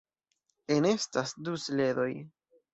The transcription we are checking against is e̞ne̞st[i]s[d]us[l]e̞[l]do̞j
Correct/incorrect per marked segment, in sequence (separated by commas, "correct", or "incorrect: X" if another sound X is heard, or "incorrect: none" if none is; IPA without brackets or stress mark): incorrect: a, correct, correct, incorrect: none